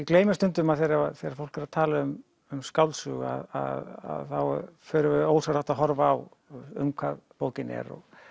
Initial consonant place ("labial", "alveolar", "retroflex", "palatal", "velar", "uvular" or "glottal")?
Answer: velar